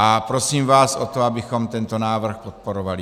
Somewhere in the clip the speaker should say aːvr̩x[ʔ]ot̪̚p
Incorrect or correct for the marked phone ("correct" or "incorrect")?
incorrect